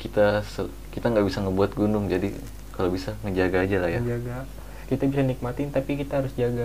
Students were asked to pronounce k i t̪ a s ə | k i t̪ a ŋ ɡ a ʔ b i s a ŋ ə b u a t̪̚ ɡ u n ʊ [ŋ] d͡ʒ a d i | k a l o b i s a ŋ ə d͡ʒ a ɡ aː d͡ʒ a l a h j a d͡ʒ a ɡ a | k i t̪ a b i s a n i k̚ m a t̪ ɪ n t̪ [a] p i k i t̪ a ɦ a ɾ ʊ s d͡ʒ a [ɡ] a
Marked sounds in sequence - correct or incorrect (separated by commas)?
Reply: correct, correct, correct